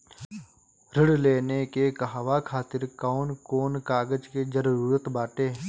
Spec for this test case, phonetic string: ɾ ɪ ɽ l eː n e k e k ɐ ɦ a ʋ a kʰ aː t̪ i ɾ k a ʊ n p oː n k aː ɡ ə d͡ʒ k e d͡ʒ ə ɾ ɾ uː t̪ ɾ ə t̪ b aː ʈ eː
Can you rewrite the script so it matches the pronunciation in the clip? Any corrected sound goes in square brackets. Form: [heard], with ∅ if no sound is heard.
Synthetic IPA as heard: ɾ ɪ ɽ l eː n e k e k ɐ ɦ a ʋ a kʰ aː t̪ [ɪ] ɾ k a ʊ n [k] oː n k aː ɡ ə d͡ʒ k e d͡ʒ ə ɾ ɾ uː [∅] ɾ ə t̪ b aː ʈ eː